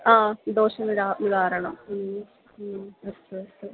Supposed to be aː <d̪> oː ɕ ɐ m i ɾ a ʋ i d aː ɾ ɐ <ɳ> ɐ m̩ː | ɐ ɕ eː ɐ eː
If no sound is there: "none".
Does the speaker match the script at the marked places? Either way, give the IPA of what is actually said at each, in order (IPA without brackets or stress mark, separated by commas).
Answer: d̪, ɳ